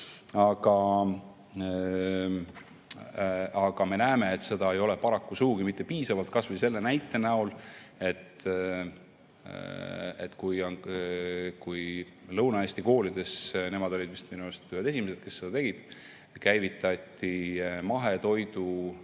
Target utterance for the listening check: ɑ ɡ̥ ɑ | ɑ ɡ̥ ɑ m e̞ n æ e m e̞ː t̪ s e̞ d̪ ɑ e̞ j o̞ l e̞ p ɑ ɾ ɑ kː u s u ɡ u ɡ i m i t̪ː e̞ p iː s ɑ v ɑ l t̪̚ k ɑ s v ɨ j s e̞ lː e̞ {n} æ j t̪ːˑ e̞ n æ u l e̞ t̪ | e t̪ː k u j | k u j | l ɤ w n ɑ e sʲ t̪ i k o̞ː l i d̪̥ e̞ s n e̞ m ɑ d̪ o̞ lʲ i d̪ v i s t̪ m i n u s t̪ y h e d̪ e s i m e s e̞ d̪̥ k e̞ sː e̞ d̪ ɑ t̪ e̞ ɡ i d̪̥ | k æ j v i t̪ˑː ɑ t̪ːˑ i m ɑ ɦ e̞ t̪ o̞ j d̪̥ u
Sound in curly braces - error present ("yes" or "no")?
no